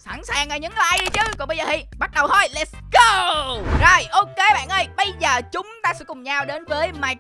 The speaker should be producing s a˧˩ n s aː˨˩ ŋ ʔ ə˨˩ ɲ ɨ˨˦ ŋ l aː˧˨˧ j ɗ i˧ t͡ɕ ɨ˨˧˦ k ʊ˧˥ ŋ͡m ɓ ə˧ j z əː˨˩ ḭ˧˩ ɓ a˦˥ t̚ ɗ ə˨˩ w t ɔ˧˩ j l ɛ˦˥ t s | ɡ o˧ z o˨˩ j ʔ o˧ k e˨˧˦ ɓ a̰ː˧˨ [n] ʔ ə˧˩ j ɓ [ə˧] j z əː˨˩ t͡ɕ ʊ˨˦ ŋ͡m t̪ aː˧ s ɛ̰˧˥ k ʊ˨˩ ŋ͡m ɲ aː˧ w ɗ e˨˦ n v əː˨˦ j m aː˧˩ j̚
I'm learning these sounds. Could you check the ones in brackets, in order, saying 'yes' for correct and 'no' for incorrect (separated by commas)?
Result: yes, yes